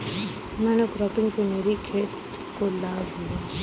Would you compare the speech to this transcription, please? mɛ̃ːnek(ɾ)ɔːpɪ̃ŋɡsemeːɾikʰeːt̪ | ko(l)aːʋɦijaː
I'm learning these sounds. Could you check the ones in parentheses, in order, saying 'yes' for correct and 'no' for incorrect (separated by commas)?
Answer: yes, yes